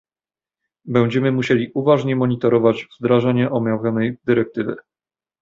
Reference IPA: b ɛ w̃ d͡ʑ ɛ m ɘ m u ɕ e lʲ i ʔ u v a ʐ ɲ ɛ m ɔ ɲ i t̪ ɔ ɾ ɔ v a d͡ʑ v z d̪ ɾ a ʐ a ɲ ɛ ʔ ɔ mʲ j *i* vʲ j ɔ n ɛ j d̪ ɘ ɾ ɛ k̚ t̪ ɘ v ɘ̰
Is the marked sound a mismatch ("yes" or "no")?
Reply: yes